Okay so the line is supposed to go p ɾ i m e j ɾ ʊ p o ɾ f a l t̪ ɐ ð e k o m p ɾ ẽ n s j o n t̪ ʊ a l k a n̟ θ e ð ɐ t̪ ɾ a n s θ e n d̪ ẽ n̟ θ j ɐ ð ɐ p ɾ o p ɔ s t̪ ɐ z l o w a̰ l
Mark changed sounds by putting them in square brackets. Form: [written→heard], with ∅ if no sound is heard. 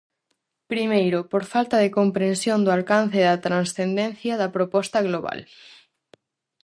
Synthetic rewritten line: p ɾ i m e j ɾ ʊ p o ɾ f a l t̪ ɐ ð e k o m p ɾ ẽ n s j o n [t̪→d̪] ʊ a l k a n̟ θ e ð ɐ t̪ ɾ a n s θ e n d̪ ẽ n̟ θ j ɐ ð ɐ p ɾ o p ɔ s t̪ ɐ [z→ɣ] l o [w→β] a̰ l